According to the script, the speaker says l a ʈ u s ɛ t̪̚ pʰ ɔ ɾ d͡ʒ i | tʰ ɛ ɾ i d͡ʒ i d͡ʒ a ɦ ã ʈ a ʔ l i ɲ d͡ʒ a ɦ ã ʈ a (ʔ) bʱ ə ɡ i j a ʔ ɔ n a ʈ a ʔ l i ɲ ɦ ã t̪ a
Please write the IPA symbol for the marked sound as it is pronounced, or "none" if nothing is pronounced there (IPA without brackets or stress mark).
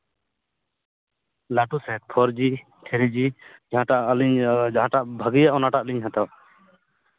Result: ʔ